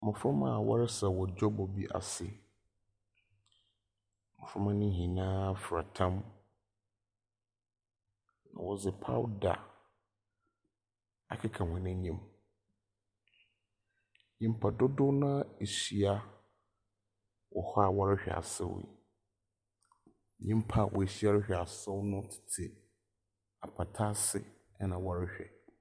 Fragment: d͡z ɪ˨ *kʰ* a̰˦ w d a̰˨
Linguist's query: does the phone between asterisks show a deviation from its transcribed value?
yes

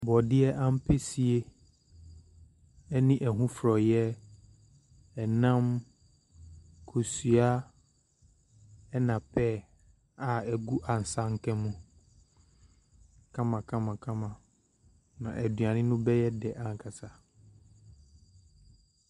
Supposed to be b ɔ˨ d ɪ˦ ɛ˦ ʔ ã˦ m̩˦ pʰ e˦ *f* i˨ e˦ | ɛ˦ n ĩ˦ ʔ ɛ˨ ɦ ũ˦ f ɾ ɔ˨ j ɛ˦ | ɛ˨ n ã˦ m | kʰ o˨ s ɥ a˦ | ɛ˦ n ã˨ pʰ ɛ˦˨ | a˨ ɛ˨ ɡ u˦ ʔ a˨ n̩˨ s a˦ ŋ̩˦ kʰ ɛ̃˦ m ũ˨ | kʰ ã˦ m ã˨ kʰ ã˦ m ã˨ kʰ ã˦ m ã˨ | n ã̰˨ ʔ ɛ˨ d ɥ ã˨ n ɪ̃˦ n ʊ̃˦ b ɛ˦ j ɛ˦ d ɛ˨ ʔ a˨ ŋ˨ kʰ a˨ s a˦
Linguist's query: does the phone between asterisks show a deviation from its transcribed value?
yes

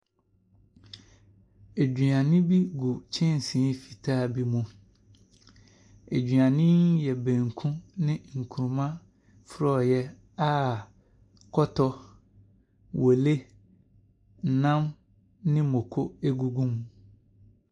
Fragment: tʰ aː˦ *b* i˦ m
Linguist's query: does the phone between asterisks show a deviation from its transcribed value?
no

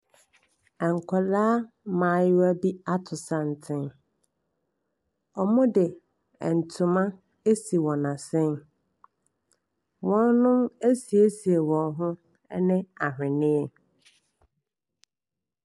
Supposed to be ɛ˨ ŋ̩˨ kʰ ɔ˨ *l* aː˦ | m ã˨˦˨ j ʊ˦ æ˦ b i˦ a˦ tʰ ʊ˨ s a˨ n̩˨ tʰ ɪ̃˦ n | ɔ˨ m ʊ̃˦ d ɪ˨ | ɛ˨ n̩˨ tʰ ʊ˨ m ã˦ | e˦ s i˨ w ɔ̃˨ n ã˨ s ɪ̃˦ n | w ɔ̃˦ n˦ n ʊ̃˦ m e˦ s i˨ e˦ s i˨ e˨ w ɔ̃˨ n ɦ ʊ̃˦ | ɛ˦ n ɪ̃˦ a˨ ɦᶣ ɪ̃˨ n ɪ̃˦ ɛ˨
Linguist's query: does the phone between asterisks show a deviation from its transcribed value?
no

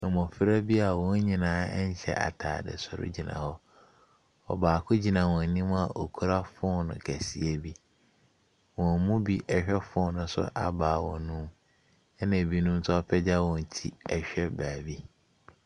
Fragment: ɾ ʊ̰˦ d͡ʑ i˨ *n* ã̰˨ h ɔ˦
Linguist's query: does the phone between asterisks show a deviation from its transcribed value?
no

